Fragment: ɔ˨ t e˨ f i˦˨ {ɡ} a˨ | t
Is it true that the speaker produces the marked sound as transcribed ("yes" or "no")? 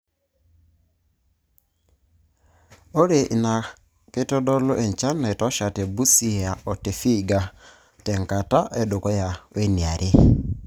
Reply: yes